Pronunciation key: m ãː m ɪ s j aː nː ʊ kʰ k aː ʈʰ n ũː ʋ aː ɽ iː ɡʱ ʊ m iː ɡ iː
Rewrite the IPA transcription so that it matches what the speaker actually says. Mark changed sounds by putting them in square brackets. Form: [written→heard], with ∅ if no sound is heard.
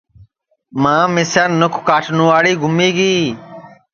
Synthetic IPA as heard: m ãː m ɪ s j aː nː ʊ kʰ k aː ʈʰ n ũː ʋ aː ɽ iː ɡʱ ʊ m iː ɡ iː